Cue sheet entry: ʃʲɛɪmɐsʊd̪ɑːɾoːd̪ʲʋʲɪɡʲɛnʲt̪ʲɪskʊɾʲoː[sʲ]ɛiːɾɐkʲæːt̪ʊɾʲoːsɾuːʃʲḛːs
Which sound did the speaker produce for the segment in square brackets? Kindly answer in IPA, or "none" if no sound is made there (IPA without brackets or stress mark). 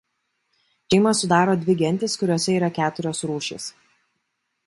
sʲ